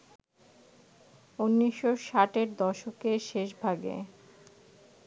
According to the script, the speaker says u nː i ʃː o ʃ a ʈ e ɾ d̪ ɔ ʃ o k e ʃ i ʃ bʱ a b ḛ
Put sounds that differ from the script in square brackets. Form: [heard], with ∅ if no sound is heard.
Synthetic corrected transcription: u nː i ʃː o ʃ a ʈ e ɾ d̪ ɔ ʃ o k e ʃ [e] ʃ bʱ a [ɡ] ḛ